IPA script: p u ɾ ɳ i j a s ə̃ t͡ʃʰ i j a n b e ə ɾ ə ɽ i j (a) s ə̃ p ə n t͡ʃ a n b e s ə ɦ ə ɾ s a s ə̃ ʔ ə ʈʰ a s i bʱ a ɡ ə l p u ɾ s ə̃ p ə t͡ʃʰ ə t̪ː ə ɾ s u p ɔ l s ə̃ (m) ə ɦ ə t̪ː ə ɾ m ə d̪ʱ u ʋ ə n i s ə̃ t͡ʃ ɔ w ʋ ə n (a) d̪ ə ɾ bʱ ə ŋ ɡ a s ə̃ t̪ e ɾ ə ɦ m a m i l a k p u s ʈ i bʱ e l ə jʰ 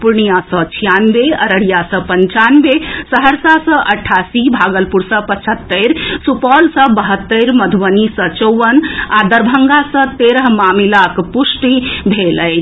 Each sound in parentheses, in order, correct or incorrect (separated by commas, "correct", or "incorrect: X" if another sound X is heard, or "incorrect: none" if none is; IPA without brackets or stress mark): correct, incorrect: b, correct